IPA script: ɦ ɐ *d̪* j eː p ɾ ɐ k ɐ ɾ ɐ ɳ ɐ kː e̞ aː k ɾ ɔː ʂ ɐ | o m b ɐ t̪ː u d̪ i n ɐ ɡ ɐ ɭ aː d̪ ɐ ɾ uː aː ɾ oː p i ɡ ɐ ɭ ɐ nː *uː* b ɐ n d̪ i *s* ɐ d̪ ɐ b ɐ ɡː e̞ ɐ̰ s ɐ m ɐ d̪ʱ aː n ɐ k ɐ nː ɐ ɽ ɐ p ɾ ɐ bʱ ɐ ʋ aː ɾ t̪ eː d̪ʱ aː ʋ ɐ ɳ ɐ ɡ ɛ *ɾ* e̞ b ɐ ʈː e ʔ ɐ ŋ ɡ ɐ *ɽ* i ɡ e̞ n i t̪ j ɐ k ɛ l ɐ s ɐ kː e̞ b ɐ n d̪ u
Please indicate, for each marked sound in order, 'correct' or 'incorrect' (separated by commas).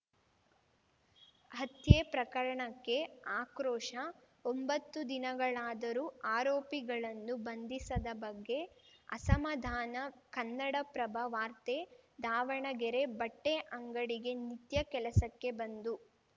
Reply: incorrect, incorrect, correct, correct, correct